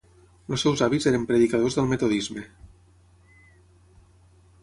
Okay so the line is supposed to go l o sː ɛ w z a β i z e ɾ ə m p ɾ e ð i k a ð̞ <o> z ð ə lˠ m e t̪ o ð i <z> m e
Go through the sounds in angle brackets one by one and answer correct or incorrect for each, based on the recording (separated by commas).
correct, correct